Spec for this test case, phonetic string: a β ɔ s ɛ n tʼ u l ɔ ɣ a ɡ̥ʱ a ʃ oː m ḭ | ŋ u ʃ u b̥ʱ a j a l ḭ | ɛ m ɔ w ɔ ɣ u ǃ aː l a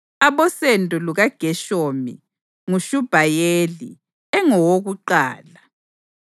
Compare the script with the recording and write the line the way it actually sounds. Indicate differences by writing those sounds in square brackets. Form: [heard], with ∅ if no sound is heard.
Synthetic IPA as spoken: a β ɔ s ɛ n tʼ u l [u] ɣ a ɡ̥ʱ [ɛ] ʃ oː m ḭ | ŋ u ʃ u b̥ʱ a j [e] l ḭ | ɛ [ŋ] ɔ w [o] ɣ u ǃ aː l a